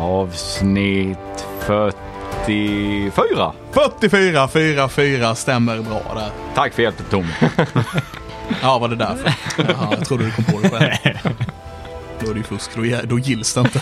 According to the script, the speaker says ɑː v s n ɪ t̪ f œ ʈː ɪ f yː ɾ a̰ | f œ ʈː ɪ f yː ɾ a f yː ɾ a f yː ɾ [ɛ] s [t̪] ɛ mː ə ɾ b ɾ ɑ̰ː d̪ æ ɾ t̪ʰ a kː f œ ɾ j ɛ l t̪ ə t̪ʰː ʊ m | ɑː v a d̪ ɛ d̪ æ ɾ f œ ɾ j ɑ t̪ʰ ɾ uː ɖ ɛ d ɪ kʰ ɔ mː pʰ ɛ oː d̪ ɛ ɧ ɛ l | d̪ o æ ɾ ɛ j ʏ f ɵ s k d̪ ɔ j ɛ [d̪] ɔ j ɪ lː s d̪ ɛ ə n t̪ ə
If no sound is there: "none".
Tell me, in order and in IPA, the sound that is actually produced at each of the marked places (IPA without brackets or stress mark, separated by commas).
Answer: a, t̪, d̪